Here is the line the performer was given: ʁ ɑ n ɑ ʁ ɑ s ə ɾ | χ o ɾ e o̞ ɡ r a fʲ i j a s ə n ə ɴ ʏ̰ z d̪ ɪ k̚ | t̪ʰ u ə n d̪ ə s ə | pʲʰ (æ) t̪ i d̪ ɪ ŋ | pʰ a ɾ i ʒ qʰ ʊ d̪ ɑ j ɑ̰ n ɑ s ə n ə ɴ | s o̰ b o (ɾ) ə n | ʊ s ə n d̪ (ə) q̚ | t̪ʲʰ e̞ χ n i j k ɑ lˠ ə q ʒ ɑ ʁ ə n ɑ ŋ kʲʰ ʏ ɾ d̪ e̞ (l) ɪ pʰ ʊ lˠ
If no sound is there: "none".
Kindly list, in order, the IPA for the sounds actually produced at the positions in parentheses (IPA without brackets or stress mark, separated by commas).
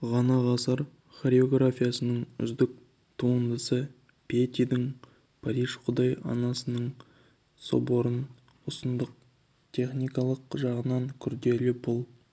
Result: e, ɾ, ə, l